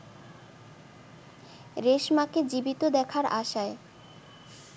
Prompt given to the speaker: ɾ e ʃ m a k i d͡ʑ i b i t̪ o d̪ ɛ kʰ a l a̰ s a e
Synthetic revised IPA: ɾ e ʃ m a k e d͡ʑ i b i t̪ o d̪ ɛ kʰ a ɾ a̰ ʃ a e